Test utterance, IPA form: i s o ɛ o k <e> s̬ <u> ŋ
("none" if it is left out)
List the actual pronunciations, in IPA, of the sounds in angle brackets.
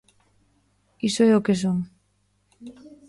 e, o

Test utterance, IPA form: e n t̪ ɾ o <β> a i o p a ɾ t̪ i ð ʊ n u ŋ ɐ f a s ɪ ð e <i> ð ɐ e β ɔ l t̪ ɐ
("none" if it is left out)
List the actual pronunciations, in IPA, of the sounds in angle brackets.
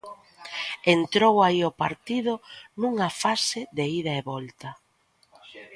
w, i

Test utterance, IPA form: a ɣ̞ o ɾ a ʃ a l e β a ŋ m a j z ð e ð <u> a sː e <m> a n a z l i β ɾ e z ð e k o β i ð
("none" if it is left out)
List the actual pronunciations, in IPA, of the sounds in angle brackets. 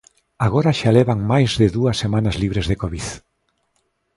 u, m

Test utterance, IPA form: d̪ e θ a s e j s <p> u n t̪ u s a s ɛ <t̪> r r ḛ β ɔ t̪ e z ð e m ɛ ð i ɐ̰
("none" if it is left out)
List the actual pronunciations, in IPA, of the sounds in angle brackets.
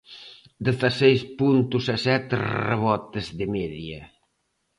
p, t̪

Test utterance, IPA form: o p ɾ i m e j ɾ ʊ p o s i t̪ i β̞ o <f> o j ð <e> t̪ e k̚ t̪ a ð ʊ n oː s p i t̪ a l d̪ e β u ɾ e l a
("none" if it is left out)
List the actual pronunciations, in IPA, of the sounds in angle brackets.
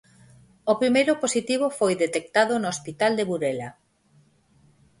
f, e

